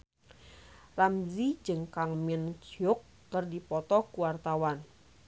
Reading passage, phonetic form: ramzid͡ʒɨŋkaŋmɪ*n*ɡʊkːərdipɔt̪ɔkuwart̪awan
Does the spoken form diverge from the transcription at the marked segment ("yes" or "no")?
no